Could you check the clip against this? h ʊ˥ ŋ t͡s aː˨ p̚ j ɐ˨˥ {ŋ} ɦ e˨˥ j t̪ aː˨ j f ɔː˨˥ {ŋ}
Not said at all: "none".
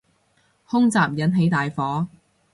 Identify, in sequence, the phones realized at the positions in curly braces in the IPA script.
n, none

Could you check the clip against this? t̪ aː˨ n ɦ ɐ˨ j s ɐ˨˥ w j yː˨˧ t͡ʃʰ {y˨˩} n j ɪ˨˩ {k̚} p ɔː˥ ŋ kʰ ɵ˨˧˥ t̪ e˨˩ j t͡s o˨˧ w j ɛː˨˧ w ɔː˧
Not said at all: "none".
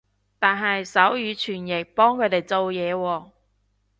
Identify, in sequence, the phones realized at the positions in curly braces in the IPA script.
yː˨˩, k̚

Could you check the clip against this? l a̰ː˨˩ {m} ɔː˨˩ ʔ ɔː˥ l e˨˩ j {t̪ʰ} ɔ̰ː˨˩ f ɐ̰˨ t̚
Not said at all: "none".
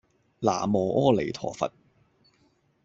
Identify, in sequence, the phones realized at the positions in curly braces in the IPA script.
m, t̪ʰ

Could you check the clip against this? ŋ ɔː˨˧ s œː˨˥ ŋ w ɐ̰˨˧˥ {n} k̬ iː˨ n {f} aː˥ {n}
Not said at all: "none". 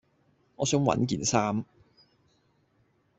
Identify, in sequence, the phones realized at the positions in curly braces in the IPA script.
n, s, m

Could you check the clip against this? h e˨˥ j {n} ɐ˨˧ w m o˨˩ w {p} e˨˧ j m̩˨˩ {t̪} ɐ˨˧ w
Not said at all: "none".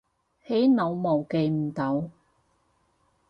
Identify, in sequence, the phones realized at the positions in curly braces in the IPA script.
n, k, t̪

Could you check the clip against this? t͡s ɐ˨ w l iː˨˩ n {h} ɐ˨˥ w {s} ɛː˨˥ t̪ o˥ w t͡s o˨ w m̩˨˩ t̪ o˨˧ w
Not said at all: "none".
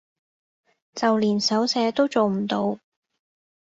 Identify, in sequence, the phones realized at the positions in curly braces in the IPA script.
s, s

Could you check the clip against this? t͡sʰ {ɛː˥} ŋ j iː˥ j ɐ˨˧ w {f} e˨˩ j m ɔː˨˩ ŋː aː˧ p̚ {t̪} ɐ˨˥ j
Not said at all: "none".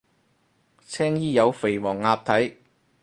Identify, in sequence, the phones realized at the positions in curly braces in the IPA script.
ɛː˥, f, t̪ʰ

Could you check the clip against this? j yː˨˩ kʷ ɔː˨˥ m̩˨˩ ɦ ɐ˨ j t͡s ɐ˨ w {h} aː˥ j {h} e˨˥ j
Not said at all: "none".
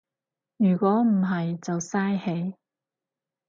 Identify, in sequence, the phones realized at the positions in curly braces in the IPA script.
s, h

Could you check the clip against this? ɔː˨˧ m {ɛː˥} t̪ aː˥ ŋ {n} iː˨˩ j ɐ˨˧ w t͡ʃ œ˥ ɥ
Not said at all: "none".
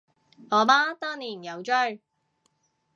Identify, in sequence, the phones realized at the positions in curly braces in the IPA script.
aː˥, n

